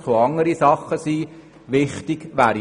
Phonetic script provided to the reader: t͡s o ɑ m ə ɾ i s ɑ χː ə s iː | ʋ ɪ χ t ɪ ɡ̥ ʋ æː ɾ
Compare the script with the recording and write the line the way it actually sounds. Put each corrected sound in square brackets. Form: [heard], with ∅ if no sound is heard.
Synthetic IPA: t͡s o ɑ [ŋ] ə ɾ i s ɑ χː ə s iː | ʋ ɪ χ t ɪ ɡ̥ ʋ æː ɾ